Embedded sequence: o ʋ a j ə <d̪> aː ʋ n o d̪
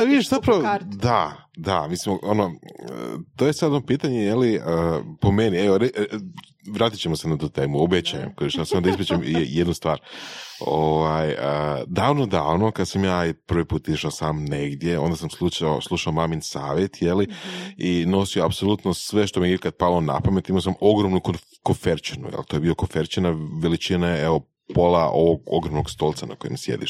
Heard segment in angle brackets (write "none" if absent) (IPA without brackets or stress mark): d̪